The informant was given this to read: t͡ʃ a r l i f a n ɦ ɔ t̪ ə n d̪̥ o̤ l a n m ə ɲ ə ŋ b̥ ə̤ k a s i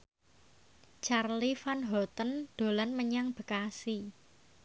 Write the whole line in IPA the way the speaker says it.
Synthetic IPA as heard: t͡ʃ a r l i f a n ɦ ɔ t̪ ə n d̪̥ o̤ l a n m ə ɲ a ŋ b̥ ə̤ k a s i